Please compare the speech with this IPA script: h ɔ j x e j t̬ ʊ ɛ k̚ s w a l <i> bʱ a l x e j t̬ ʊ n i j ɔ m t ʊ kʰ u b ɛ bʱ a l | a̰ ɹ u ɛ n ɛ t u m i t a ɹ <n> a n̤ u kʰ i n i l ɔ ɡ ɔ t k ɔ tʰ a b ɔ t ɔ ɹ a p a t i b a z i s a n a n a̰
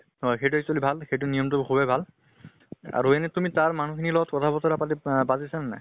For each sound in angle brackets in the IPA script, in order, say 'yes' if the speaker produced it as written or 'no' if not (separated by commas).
yes, no